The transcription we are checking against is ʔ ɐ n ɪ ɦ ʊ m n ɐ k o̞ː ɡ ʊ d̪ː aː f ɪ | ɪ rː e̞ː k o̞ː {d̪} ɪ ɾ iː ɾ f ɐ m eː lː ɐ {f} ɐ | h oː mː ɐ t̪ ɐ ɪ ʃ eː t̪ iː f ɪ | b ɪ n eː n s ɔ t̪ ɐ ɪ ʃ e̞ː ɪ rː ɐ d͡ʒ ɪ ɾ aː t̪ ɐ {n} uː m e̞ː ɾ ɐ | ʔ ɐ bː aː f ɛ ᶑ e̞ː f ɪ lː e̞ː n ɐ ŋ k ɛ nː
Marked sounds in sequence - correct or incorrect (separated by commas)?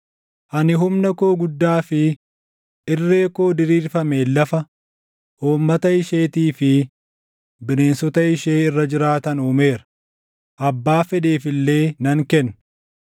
correct, correct, correct